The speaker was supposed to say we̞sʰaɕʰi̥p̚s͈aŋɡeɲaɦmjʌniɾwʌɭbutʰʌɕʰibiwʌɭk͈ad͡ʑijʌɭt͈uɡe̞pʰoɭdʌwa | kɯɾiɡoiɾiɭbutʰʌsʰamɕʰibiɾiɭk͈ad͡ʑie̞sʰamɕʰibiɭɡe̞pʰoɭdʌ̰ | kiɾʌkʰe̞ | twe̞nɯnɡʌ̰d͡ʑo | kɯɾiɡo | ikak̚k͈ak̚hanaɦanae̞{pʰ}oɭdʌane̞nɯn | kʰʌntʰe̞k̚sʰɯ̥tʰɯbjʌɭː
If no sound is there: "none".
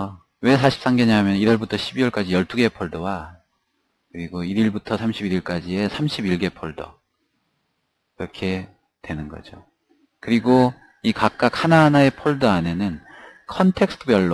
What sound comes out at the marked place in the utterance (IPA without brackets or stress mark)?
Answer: pʰ